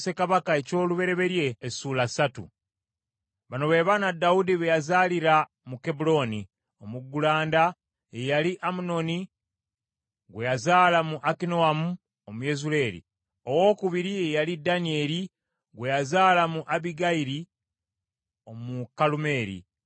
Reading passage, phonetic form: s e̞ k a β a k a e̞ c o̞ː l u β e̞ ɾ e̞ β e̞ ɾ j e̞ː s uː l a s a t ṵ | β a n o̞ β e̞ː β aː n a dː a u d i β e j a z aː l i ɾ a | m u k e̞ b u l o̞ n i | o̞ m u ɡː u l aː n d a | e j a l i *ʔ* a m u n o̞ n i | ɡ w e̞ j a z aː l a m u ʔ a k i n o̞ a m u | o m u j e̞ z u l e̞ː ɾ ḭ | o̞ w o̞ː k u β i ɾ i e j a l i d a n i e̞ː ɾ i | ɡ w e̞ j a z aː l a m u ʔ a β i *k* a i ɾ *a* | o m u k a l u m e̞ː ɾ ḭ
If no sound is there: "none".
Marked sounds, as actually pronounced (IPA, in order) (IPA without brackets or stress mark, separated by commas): ʔ, ɡ, i